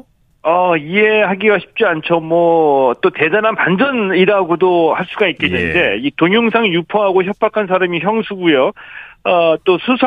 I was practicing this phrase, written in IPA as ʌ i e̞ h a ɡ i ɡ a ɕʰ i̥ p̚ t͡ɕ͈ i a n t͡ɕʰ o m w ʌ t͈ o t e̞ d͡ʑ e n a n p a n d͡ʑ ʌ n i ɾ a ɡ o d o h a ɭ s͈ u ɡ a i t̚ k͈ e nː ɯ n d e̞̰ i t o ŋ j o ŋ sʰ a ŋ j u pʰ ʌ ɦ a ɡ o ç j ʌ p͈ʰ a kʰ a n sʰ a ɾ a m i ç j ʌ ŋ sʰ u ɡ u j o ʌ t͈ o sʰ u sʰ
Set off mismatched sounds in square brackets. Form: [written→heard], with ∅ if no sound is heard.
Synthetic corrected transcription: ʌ i e̞ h a ɡ i ɡ a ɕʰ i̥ p̚ t͡ɕ͈ i a n t͡ɕʰ o m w ʌ t͈ o t e̞ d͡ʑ [e→a] n a n p a n d͡ʑ ʌ n i ɾ a ɡ o d o h a ɭ s͈ u ɡ a i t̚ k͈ e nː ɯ n d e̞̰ i t o ŋ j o ŋ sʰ a ŋ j u pʰ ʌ ɦ a ɡ o ç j ʌ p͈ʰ a kʰ a n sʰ a ɾ a m i ç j ʌ ŋ sʰ u ɡ u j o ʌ t͈ o sʰ u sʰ